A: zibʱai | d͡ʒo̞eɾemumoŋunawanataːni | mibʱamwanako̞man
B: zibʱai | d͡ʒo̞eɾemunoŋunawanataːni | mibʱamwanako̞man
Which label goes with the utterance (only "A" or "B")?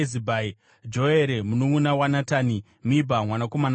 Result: B